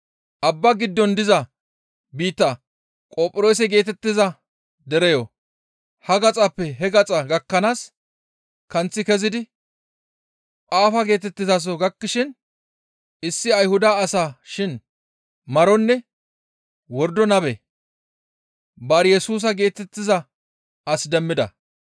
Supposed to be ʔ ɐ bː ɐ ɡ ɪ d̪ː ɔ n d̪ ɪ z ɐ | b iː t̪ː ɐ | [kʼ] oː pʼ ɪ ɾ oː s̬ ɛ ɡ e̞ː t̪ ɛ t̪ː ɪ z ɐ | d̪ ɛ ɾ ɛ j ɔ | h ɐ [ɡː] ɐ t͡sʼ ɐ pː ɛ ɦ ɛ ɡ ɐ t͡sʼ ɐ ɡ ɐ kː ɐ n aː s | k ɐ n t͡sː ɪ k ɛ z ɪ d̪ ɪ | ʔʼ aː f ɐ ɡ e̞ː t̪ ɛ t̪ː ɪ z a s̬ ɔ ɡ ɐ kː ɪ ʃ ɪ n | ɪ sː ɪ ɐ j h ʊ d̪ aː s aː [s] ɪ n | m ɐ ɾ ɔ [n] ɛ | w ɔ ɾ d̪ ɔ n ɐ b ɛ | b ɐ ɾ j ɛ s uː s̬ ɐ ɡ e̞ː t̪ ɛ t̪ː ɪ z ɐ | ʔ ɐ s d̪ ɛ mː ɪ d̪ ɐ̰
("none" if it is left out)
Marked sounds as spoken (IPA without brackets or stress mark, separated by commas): kʼ, ɡ, ʃ, nː